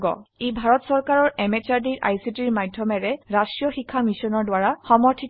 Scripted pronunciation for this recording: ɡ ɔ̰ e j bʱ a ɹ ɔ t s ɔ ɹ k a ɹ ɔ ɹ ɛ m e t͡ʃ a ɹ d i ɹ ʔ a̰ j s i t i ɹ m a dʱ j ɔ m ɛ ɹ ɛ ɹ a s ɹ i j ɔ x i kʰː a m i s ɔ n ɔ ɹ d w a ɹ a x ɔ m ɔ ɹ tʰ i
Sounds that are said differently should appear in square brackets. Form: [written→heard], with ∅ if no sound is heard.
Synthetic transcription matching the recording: ɡ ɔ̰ e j bʱ a ɹ ɔ t s ɔ ɹ k a ɹ ɔ ɹ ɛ m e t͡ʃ a ɹ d i ɹ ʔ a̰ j s i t i ɹ m a dʱ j ɔ m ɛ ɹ ɛ ɹ a s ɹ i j ɔ x i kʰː a m i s ɔ n ɔ ɹ d w a ɹ a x ɔ m ɔ ɹ tʰ i